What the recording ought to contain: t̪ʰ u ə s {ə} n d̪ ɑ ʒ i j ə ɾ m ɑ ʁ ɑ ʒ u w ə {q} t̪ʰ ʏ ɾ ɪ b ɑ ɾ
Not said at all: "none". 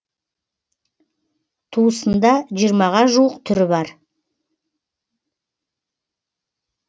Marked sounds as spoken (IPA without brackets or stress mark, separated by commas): ə, q